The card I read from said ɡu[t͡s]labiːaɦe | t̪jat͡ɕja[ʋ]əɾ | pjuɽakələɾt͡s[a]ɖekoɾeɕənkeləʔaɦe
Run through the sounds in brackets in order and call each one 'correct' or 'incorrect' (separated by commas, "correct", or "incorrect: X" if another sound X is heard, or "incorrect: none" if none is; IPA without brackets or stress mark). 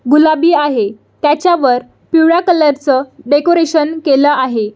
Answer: incorrect: none, correct, incorrect: ə